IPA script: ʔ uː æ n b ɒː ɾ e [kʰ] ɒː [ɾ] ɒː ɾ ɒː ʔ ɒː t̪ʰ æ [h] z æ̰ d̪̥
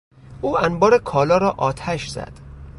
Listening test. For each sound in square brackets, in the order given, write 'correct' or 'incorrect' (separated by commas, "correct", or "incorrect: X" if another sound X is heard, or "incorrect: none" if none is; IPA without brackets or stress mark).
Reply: correct, incorrect: l, incorrect: ʃ